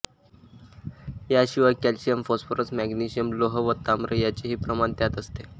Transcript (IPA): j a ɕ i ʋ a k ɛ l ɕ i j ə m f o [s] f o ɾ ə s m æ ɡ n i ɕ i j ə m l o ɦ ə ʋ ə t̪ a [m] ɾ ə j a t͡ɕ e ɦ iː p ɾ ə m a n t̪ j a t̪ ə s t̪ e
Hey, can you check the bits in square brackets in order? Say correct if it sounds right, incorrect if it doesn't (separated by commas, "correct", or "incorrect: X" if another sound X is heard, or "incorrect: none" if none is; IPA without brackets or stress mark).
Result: correct, correct